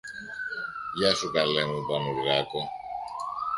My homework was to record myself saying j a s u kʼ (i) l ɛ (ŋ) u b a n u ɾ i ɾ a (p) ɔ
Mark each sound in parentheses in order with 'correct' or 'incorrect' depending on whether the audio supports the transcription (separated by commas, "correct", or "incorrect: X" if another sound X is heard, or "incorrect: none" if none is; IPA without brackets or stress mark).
incorrect: a, correct, incorrect: k